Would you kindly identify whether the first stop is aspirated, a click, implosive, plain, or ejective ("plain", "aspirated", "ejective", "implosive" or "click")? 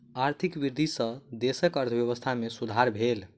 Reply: aspirated